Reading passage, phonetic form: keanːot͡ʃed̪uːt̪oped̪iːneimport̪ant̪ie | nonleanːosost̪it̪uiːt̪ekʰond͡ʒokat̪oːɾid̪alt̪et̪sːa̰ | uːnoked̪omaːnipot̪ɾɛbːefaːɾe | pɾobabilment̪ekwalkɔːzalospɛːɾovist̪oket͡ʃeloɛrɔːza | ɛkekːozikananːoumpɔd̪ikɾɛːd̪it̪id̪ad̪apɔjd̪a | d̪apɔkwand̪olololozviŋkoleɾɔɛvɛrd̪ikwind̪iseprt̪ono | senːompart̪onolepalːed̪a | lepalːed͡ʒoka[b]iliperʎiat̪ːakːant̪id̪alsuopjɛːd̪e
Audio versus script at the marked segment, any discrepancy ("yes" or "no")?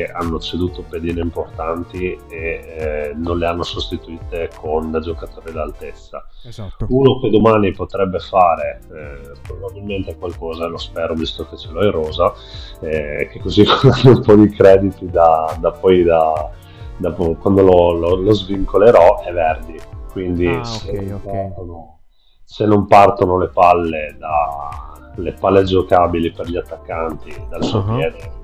no